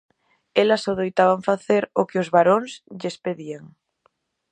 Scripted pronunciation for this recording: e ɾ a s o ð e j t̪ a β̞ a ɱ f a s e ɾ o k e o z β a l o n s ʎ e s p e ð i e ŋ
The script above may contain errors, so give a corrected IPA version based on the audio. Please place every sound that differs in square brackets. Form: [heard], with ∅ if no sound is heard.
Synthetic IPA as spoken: e [l] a s o ð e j t̪ a β̞ a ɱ f a [θ] e ɾ o k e o z β a [ɾ] o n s ʎ e s p e ð i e ŋ